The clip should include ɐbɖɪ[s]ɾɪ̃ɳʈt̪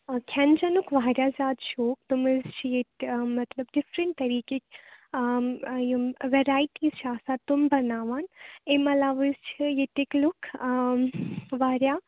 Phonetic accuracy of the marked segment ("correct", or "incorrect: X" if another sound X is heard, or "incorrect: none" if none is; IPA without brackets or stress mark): incorrect: f